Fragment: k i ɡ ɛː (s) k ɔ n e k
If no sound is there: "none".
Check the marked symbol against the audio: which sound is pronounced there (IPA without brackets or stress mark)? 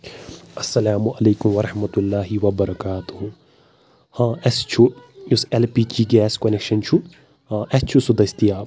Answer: s